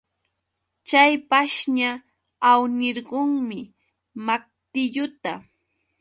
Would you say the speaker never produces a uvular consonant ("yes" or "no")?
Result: no